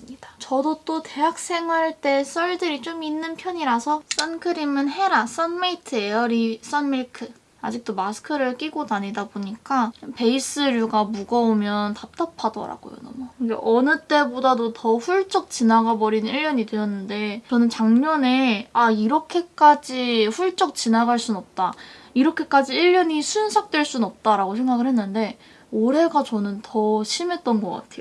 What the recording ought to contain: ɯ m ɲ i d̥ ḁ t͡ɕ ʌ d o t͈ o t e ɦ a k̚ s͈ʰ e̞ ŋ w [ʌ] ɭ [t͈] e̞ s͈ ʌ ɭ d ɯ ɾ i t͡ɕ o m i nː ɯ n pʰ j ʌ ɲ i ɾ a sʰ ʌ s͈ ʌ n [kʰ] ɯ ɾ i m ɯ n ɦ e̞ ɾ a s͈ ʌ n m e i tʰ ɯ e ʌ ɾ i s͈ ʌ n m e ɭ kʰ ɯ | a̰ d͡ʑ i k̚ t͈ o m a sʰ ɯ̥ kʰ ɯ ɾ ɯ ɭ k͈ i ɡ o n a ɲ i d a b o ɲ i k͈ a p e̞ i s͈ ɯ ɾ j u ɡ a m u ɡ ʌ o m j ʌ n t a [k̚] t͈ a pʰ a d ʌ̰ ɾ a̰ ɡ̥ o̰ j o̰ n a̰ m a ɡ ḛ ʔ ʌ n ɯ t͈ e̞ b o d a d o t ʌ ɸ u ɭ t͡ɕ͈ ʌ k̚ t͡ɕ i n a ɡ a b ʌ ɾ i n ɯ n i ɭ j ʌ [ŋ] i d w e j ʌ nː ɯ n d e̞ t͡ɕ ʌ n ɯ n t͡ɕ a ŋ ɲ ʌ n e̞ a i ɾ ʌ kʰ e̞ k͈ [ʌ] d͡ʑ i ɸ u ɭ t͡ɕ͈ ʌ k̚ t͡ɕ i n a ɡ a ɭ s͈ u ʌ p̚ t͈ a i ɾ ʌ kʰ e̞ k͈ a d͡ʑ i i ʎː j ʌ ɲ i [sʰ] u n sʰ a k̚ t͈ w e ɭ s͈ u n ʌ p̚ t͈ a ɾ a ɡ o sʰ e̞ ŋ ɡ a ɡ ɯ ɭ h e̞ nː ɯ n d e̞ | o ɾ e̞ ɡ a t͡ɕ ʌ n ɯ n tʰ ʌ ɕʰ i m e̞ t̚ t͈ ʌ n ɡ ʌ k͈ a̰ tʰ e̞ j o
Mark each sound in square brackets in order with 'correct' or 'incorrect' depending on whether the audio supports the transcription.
incorrect, correct, correct, incorrect, incorrect, incorrect, correct

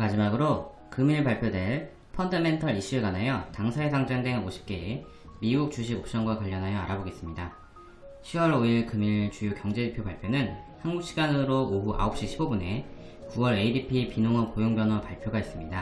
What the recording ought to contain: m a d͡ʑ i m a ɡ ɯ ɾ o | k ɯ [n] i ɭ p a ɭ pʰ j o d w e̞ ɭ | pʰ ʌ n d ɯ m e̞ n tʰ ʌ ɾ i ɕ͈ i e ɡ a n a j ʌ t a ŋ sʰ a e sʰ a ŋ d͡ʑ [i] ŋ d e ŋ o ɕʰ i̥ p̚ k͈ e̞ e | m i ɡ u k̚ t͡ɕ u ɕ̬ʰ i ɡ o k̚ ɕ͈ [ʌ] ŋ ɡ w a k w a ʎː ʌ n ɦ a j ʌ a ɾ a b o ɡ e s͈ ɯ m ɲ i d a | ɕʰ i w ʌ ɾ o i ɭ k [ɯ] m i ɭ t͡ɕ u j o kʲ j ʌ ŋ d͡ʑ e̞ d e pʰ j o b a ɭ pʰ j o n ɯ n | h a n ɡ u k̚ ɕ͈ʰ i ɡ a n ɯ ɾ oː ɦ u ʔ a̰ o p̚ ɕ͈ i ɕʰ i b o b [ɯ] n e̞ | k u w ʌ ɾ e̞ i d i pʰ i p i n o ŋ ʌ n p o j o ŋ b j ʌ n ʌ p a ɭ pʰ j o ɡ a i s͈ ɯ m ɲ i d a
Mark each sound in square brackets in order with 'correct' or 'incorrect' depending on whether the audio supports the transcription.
incorrect, incorrect, correct, correct, incorrect

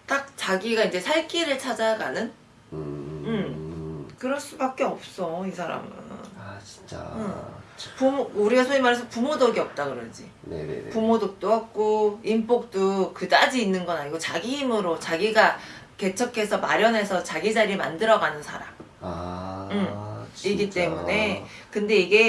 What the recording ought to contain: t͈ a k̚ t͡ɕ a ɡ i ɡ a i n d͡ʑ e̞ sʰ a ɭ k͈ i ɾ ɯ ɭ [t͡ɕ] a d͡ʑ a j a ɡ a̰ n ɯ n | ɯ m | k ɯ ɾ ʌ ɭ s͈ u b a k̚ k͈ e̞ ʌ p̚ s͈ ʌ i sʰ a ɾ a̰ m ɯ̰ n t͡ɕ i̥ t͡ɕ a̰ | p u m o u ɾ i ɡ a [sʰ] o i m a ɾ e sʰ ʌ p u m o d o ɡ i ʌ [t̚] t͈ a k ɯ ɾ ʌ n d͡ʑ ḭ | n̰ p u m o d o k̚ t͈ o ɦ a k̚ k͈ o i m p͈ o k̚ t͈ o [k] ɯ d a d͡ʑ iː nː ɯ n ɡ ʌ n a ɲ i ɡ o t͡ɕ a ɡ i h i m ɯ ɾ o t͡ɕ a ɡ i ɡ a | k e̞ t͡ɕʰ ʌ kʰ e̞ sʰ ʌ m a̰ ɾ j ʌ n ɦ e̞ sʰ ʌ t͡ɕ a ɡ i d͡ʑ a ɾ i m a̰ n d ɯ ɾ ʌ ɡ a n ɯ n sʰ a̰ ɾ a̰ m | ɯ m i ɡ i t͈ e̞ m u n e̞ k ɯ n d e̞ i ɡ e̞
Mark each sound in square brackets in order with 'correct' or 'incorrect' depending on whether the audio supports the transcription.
incorrect, correct, incorrect, correct

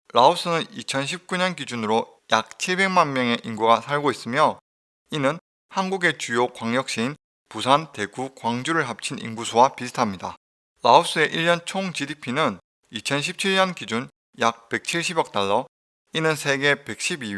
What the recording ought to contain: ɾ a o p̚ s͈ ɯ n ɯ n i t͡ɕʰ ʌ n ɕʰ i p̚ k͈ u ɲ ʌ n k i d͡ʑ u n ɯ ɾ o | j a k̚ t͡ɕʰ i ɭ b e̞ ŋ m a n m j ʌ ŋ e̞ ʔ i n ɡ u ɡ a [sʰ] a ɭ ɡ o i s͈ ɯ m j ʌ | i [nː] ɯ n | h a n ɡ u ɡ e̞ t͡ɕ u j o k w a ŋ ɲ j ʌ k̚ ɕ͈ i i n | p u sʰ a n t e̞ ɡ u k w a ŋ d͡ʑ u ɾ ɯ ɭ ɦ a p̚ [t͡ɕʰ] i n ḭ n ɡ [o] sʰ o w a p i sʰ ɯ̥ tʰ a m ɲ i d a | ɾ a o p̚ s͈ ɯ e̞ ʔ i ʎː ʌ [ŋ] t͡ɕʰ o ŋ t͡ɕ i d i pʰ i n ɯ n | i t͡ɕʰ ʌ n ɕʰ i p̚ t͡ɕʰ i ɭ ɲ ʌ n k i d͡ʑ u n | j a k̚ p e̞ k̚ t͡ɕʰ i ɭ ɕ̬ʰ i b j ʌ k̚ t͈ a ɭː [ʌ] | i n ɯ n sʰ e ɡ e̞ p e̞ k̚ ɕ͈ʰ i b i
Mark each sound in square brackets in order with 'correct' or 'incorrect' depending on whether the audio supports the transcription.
correct, incorrect, correct, incorrect, incorrect, correct

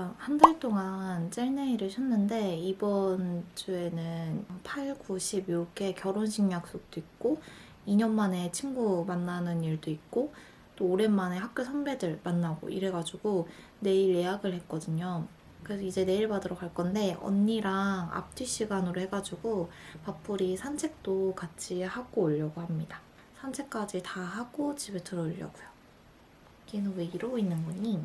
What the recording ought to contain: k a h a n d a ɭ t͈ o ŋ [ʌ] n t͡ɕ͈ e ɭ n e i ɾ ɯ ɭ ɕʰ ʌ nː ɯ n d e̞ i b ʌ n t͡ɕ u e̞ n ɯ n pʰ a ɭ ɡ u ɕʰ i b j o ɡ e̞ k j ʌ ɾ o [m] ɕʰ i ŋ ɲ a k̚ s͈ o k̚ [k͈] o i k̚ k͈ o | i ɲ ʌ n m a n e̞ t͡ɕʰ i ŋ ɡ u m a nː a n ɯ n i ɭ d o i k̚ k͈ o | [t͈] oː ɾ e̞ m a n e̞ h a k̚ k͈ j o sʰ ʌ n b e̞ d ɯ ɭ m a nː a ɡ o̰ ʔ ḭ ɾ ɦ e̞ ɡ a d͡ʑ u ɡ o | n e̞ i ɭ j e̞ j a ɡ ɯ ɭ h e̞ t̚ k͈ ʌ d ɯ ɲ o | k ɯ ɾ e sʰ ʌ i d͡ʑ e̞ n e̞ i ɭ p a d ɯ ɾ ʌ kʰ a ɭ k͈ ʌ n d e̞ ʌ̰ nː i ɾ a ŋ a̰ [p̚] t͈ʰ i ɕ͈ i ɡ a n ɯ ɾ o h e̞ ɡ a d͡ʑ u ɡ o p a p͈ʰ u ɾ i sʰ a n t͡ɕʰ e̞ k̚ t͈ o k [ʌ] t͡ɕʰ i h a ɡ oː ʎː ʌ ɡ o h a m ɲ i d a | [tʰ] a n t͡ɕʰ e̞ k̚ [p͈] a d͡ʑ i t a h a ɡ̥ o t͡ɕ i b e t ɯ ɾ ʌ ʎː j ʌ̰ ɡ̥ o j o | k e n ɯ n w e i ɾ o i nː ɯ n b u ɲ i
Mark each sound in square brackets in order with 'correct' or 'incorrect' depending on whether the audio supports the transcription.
incorrect, incorrect, incorrect, correct, correct, incorrect, incorrect, incorrect

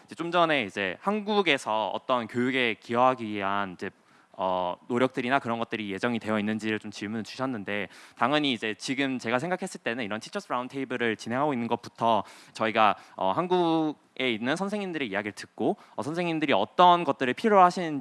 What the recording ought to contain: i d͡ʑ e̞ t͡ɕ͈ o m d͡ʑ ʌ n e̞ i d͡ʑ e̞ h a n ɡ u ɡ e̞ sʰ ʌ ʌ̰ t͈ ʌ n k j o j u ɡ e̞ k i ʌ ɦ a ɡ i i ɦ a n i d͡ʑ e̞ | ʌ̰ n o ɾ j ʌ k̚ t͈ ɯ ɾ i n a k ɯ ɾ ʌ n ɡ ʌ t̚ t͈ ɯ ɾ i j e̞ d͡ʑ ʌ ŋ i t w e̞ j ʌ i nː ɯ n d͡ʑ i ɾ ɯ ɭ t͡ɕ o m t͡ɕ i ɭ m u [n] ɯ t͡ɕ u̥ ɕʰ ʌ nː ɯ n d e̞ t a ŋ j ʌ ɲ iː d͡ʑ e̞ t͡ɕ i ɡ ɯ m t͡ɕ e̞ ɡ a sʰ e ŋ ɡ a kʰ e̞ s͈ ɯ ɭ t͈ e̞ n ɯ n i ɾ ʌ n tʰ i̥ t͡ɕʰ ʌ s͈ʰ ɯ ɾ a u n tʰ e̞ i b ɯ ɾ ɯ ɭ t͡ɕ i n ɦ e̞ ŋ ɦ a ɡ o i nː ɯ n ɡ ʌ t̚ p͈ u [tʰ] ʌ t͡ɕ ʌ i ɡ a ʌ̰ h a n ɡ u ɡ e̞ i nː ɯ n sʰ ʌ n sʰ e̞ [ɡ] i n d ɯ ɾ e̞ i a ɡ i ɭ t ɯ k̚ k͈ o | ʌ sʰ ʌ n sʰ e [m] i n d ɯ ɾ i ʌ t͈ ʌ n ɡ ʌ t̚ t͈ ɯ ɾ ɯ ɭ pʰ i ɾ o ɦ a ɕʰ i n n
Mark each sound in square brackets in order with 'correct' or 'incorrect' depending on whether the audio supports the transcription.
correct, correct, incorrect, incorrect

